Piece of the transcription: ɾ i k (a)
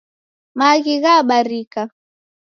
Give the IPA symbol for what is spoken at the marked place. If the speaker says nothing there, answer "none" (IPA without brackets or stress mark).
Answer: a